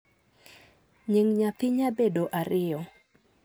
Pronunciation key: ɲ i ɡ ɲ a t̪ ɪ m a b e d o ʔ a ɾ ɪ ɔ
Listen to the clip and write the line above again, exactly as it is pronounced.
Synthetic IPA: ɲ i ŋ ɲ a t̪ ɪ ɲ a b e d o ʔ a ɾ ɪ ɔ

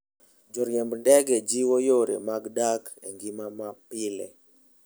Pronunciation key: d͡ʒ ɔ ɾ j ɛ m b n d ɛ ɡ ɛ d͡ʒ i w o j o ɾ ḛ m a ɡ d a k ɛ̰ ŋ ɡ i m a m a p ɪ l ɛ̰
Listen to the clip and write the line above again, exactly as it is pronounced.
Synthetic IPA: d͡ʒ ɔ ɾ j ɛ m b n d ɛ ɡ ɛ d͡ʒ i w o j o ɾ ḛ m a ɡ d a k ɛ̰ ŋ ɡ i m a m a p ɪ l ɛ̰

